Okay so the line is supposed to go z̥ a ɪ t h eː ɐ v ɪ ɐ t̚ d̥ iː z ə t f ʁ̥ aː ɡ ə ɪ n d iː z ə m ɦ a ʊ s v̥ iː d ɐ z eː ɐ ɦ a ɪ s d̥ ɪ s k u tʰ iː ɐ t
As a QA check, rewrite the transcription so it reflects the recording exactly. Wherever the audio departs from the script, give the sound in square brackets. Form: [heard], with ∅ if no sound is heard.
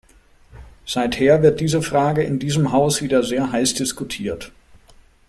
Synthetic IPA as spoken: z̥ a ɪ t h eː ɐ v ɪ ɐ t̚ d̥ iː z ə [∅] f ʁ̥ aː ɡ ə ɪ n d iː z ə m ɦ a ʊ s v̥ iː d ɐ z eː ɐ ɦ a ɪ s d̥ ɪ s k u tʰ iː ɐ t